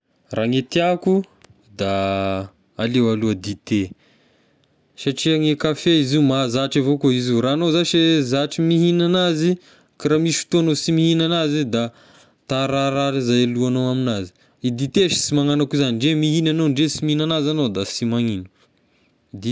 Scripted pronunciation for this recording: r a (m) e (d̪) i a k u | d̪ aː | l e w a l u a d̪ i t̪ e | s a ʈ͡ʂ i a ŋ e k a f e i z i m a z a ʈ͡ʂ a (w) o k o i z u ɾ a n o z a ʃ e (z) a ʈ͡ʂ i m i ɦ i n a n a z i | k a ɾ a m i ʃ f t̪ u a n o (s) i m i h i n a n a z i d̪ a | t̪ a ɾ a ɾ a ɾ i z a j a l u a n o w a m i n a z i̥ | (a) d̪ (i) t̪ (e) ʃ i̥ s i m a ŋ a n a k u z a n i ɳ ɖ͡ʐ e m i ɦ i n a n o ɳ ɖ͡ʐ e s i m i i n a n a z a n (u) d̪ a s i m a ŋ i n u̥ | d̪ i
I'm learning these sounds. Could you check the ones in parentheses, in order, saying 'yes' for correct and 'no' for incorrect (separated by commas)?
no, no, no, yes, yes, no, yes, yes, no